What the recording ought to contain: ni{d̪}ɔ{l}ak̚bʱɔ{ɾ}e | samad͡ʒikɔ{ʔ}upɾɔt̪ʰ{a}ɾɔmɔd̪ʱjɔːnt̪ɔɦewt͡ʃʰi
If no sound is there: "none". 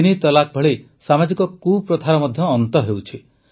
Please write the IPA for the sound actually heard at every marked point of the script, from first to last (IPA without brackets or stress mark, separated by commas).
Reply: t̪, l, ɭ, k, a